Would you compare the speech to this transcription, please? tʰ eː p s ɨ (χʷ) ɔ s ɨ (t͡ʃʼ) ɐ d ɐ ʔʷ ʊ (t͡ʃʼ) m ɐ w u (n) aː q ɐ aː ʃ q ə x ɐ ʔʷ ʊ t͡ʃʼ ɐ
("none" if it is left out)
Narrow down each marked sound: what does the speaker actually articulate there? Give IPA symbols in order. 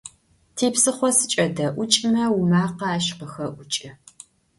χʷ, t͡ʃʼ, t͡ʃʼ, m

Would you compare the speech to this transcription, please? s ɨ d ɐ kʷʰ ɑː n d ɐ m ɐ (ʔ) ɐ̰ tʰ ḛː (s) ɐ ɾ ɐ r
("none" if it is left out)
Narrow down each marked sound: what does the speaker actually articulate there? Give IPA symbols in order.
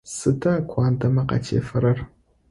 q, f

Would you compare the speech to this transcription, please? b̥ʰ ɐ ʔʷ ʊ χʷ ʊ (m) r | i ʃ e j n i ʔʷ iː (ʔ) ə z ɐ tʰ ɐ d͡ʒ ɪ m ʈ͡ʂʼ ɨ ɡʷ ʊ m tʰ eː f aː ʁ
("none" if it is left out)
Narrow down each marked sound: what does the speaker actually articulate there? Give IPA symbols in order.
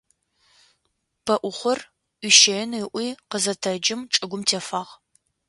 none, q

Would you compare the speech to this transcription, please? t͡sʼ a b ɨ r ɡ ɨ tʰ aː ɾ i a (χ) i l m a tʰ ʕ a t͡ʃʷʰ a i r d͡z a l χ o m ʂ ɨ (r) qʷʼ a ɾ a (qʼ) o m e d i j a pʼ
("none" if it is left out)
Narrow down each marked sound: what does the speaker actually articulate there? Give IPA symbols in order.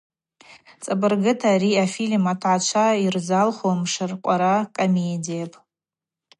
f, r, kʼ

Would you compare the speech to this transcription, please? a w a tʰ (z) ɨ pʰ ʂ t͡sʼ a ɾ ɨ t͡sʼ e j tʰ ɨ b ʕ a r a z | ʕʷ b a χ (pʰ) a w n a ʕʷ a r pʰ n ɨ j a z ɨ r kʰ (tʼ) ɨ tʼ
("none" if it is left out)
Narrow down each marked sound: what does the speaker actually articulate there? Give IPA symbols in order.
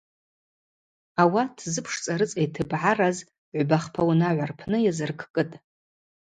z, pʰ, kʼ

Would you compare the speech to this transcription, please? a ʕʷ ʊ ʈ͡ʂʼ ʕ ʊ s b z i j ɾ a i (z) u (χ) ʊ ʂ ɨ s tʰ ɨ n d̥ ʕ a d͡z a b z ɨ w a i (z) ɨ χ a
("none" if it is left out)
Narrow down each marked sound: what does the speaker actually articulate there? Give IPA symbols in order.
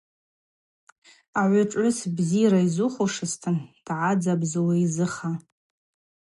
z, χ, z

